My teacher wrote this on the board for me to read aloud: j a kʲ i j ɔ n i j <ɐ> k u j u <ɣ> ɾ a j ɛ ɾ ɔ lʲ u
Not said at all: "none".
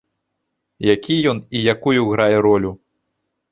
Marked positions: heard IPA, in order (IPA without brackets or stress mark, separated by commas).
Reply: a, ɣ